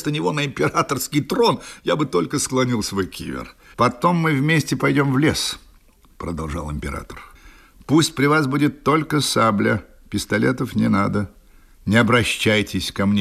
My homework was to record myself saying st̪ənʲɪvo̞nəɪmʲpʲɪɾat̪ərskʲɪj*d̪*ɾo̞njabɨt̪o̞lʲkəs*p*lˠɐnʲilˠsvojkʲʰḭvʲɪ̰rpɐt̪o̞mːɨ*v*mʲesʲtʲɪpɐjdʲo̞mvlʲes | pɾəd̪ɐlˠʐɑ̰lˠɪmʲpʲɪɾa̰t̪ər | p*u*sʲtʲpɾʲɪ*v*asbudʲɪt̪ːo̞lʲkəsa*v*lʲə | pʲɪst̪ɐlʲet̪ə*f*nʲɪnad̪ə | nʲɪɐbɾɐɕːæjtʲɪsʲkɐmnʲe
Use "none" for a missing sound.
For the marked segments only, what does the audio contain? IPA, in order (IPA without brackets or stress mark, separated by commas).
t̪, k, v, u, v, b, f